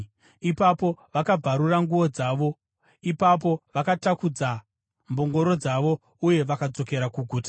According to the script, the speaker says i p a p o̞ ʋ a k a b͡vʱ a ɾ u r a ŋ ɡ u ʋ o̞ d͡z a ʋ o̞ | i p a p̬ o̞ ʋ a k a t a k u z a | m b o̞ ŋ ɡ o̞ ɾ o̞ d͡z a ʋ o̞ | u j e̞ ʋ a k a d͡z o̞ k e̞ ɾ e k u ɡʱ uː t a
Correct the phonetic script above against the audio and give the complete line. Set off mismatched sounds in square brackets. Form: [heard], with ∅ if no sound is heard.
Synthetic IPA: i p a p o̞ ʋ a k a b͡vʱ a ɾ u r a ŋ ɡ u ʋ o̞ d͡z a ʋ o̞ | i p a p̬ o̞ ʋ a k a t a k u [d͡z] a | m b o̞ ŋ ɡ o̞ ɾ o̞ d͡z a ʋ o̞ | u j e̞ ʋ a k a d͡z o̞ k e̞ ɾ [a] k u ɡʱ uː t a